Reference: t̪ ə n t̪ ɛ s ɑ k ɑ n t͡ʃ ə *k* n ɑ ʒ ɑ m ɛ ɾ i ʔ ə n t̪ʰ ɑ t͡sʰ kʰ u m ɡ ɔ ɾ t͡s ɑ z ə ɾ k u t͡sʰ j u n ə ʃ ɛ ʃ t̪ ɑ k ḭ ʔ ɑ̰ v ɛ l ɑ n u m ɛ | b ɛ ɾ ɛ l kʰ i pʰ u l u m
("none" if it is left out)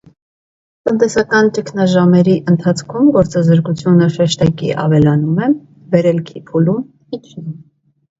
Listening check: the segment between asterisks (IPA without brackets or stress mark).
kʰ